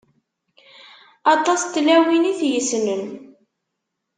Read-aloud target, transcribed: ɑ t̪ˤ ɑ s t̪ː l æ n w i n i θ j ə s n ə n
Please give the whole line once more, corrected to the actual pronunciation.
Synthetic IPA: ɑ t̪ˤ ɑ s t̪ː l æ w i n i θ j ə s n ə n